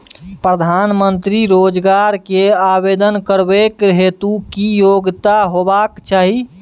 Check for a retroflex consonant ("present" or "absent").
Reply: absent